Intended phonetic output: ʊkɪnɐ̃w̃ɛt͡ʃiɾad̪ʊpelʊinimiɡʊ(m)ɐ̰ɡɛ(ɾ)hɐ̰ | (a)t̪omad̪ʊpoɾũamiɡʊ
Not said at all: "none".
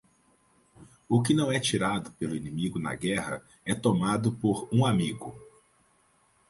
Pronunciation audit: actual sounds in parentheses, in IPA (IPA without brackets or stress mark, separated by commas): n, none, ɛ